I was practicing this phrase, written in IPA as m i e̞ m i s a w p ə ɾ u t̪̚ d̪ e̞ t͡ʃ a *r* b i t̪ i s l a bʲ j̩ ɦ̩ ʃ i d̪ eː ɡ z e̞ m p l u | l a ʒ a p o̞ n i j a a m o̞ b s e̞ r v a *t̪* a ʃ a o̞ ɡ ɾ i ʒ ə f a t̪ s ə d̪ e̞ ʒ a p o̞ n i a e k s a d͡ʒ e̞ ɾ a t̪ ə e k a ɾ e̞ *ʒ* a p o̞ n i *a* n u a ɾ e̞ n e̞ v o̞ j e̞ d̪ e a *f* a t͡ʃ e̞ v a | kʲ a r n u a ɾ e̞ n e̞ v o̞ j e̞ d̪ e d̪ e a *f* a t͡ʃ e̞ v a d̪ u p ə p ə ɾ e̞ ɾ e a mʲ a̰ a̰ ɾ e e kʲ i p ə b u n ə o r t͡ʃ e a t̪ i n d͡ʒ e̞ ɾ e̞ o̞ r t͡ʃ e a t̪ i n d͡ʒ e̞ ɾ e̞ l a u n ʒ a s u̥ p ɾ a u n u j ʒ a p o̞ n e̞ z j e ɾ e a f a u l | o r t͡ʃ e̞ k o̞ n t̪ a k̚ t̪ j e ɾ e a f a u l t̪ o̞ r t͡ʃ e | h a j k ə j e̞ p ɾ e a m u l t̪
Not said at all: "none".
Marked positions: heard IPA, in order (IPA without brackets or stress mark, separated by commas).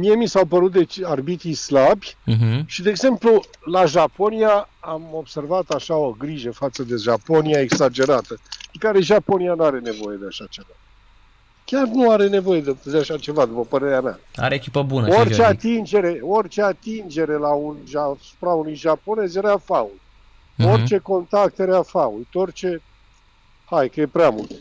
r, t̪, ʒ, a, ʃ, ʃ